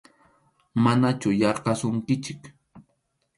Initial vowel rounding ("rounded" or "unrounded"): unrounded